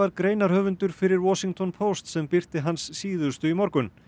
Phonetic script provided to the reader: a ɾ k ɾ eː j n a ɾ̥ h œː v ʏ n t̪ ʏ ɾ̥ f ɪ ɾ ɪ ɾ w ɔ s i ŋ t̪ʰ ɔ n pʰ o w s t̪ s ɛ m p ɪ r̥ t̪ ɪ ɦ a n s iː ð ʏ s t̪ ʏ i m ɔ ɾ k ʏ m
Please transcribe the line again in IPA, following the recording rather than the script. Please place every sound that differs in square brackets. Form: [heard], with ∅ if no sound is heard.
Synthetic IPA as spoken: a ɾ k ɾ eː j n a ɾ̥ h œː v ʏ n t̪ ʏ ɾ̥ f ɪ ɾ ɪ ɾ w ɔ s i ŋ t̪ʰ ɔ n pʰ o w s t̪ s ɛ m p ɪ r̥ t̪ ɪ ɦ a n [sː] iː ð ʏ s t̪ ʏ i m ɔ ɾ k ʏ [n]